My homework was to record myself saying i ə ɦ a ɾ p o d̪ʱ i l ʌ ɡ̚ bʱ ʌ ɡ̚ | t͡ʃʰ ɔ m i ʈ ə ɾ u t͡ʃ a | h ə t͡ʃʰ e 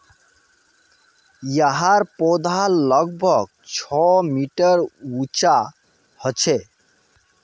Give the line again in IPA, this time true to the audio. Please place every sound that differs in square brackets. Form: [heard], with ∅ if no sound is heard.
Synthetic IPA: [j] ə ɦ a ɾ p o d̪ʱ [a] l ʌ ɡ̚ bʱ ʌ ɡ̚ | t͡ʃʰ ɔ m i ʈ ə ɾ u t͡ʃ a | h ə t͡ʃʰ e